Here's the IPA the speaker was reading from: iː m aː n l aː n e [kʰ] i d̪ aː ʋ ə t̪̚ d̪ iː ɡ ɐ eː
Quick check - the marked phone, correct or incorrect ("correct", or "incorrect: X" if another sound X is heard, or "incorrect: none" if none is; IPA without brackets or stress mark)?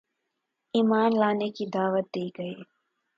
incorrect: k